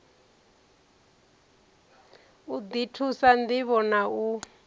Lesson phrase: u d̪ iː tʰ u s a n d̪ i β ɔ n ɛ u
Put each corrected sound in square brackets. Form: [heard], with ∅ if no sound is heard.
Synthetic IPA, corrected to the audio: u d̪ [i] tʰ u s a n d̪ i β ɔ n [a] u